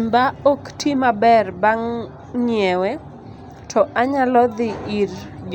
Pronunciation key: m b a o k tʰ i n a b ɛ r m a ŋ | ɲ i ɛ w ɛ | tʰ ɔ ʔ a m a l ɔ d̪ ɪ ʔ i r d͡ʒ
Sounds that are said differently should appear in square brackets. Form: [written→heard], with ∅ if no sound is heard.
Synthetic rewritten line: m b a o k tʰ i [n→m] a b ɛ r [m→b] a ŋ | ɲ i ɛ w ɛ | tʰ ɔ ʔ a [m→ɲ] a l ɔ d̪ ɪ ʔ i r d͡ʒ